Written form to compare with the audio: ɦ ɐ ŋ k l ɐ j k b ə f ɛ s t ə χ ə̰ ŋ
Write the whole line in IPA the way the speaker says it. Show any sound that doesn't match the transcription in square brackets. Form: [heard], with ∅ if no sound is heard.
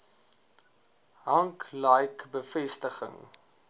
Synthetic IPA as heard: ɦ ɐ ŋ k l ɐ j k b ə f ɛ s t ə χ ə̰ ŋ